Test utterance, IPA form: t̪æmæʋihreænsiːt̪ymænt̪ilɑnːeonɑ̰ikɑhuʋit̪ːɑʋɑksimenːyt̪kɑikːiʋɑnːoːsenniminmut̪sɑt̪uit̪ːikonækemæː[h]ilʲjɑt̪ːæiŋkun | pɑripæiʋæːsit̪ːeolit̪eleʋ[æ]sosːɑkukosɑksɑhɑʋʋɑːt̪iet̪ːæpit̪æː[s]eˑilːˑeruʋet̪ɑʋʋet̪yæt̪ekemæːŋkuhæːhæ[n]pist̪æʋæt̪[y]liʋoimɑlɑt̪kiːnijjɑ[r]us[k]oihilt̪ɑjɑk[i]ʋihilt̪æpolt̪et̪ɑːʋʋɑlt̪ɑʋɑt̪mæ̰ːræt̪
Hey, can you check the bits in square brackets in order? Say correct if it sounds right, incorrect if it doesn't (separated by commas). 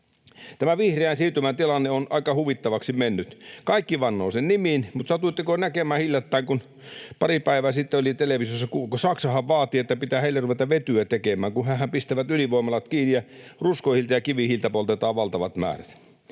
correct, incorrect, incorrect, incorrect, correct, correct, correct, correct